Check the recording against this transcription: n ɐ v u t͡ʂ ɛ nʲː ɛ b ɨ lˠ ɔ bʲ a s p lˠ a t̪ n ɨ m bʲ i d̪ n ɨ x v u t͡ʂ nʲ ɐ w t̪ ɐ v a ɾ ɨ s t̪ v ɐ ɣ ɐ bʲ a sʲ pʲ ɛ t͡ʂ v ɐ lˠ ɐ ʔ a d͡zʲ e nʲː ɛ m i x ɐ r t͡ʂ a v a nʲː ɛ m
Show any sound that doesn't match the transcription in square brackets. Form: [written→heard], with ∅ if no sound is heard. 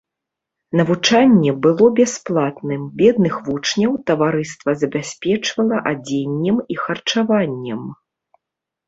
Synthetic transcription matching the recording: n ɐ v u t͡ʂ [ɛ→a] nʲː ɛ b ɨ lˠ ɔ bʲ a s p lˠ a t̪ n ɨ m bʲ [i→ɛ] d̪ n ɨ x v u t͡ʂ nʲ ɐ w t̪ ɐ v a ɾ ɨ s t̪ v ɐ [ɣ→z] ɐ bʲ a sʲ pʲ ɛ t͡ʂ v ɐ lˠ ɐ ʔ a d͡zʲ e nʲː ɛ m i x ɐ r t͡ʂ a v a nʲː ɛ m